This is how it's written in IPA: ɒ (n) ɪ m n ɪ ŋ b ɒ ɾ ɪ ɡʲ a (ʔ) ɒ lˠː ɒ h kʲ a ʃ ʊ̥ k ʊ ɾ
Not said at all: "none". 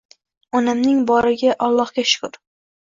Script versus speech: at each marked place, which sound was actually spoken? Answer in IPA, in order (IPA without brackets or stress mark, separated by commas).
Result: n, ʔ